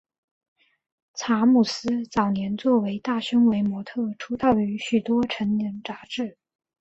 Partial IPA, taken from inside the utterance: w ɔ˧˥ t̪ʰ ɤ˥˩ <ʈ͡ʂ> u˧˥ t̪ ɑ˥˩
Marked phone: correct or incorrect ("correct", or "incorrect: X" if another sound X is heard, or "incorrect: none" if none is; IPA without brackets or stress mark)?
incorrect: ʈ͡ʂʰ